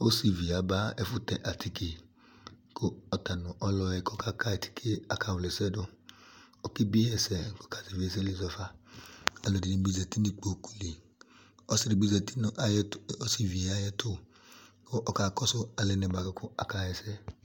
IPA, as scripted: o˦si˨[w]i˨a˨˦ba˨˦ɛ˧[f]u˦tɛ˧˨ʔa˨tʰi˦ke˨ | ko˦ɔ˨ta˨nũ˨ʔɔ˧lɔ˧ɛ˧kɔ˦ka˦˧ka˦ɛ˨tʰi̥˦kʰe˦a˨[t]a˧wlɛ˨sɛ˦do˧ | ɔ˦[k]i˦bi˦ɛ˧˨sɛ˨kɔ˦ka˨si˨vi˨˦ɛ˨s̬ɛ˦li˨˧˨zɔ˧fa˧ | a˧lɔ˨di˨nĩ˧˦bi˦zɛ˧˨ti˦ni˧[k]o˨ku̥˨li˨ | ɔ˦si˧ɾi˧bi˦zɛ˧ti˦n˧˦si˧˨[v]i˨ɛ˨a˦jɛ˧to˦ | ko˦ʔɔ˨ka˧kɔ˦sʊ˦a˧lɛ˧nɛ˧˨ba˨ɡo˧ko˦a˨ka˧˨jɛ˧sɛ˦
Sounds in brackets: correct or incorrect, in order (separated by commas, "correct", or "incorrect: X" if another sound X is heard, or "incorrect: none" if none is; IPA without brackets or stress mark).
incorrect: v, correct, incorrect: k, correct, incorrect: k͡p, correct